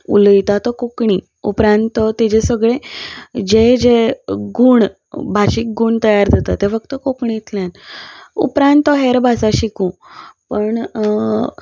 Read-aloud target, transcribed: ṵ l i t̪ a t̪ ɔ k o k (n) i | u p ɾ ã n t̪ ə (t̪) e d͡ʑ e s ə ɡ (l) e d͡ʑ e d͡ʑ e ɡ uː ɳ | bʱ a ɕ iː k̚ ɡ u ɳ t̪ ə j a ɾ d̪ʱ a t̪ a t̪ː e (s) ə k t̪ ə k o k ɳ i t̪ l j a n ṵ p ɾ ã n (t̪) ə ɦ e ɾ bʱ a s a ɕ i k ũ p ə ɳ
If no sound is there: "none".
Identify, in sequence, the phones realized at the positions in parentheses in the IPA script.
ɳ, t̪, ɭ, f, t̪

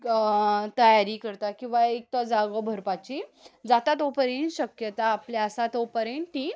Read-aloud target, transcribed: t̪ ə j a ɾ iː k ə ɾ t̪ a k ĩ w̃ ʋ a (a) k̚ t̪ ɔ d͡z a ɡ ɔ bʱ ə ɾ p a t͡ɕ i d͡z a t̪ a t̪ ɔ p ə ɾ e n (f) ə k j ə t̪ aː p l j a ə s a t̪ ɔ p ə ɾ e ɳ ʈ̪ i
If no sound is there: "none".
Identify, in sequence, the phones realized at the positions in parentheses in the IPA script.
e, ɕ

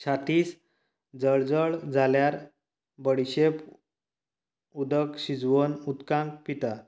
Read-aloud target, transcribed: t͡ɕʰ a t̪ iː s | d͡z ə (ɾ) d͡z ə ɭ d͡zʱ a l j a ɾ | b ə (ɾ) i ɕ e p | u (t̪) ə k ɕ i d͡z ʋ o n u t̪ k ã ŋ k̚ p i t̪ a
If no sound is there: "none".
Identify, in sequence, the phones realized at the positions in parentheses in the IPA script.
ɭ, ɽ, d̪

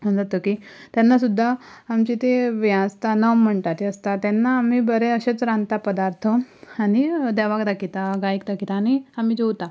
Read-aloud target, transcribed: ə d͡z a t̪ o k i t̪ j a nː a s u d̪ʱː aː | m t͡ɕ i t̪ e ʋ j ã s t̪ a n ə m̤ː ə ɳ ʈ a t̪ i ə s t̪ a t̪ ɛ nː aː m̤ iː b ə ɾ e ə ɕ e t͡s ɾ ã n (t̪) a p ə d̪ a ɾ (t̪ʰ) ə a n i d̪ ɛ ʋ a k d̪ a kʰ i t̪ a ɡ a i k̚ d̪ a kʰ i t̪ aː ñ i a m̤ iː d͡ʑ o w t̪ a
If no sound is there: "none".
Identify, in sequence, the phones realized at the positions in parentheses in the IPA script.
t̪, t̪ʰ

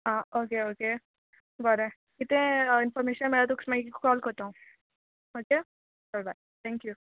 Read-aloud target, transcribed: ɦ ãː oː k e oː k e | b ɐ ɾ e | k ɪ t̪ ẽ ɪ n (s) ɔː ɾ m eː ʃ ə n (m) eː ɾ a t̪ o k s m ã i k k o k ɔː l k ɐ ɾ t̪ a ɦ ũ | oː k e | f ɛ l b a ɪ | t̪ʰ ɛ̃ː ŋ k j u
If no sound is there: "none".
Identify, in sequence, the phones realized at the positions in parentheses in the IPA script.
f, m

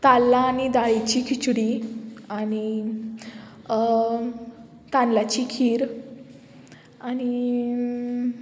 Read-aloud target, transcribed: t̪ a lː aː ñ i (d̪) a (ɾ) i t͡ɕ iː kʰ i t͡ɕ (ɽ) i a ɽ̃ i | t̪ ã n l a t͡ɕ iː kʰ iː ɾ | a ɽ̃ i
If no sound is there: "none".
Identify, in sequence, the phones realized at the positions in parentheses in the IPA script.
d̪, ɭ, ɽ

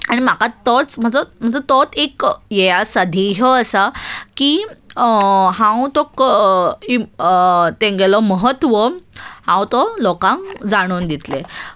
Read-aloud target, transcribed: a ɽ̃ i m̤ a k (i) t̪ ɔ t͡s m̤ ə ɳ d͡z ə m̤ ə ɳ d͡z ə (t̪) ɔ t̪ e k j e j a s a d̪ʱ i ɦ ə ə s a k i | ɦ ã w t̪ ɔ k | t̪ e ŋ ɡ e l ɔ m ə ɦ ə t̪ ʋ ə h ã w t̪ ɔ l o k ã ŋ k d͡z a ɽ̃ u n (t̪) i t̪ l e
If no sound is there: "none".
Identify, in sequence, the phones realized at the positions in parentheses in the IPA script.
a, t̪, d̪

